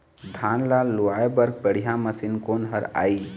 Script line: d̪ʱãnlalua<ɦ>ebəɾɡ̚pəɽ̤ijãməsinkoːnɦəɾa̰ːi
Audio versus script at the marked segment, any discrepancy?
yes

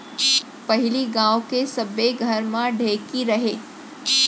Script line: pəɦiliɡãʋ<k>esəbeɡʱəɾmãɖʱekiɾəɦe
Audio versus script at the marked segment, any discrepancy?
no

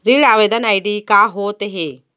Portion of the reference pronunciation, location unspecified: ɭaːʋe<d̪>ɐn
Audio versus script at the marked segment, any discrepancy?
no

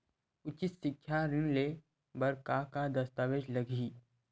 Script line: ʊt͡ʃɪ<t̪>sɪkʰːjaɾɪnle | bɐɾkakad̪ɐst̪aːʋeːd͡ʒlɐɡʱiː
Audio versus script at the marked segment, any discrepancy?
no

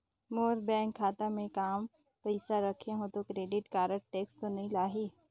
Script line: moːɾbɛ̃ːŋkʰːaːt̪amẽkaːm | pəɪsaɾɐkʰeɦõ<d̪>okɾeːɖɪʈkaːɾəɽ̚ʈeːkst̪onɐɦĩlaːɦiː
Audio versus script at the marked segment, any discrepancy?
yes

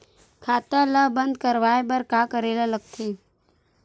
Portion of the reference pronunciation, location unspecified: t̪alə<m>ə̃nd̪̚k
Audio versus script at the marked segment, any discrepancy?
yes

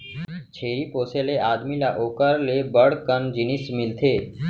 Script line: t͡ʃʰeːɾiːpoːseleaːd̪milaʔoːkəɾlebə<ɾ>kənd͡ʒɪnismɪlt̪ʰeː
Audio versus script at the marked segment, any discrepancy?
yes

